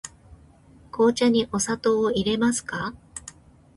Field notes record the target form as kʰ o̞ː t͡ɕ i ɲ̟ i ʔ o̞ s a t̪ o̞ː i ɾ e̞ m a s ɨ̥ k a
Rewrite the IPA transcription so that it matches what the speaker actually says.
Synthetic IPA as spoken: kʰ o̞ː t͡ɕ a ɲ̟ i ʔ o̞ s a t̪ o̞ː i ɾ e̞ m a s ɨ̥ k a